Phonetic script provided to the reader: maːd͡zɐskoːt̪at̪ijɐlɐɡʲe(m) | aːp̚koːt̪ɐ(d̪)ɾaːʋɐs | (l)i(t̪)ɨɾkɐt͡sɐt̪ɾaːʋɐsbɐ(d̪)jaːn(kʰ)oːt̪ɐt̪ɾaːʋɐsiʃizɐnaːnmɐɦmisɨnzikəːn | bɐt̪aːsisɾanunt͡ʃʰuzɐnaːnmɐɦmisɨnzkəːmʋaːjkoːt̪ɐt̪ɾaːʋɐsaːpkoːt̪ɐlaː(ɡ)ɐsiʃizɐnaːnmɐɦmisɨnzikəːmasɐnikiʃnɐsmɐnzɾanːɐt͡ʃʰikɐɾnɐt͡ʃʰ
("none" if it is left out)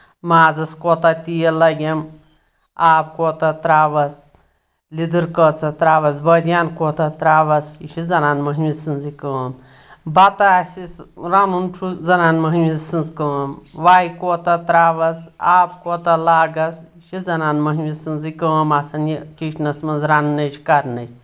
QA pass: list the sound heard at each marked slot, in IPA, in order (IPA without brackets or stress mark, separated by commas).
m, t̪, l, d̪, d̪, k, ɡ